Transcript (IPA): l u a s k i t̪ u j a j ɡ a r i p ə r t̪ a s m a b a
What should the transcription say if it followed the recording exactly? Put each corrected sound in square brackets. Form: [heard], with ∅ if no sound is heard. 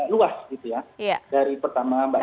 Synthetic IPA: l u a s [ɡ] i t̪ u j a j [d] a [ɾ] i p ə r t̪ a [∅] m a b a